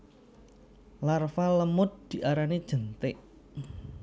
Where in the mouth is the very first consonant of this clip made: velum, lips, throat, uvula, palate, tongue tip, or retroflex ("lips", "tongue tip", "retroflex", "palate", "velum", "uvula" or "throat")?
tongue tip